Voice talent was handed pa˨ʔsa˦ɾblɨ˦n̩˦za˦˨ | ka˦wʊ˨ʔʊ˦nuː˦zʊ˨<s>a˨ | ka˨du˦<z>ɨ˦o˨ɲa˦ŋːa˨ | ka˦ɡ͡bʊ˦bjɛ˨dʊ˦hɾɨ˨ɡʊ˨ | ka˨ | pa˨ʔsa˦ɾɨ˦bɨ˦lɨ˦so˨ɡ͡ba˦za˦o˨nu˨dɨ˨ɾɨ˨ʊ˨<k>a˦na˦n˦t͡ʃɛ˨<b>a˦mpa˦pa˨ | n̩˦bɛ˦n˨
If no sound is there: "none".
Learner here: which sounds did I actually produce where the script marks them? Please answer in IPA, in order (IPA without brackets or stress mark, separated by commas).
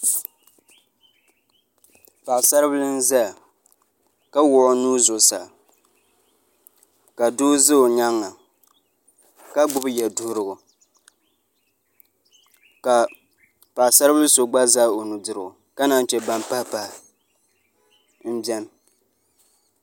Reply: s, z, k, b